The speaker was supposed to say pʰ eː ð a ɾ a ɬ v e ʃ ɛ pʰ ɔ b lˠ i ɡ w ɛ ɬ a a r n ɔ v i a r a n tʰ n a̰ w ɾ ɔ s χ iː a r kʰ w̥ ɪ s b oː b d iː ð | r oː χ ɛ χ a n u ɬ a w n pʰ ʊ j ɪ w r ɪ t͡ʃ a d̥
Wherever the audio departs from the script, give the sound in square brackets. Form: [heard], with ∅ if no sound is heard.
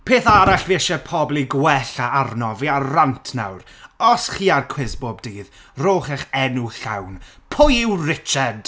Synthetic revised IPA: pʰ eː [θ] a ɾ a ɬ v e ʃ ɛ pʰ ɔ b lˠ i ɡ w ɛ ɬ a a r n ɔ v i a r a n tʰ n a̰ w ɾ ɔ s χ iː a r kʰ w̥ ɪ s b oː b d iː ð | r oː χ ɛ χ [ɛ] n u ɬ a w n pʰ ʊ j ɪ w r ɪ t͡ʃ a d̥